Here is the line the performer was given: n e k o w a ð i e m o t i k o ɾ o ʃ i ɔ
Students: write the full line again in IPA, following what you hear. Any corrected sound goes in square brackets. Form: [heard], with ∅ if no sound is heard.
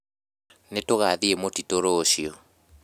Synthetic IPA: n e [t] o [ɣ] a ð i e m o t i [t] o ɾ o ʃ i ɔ